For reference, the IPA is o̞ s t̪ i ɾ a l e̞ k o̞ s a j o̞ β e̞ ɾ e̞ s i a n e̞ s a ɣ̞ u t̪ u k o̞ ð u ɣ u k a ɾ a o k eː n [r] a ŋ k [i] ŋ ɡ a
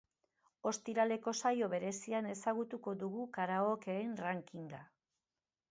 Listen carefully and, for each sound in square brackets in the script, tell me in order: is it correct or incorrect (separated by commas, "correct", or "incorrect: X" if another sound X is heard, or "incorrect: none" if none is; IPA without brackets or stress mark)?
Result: correct, correct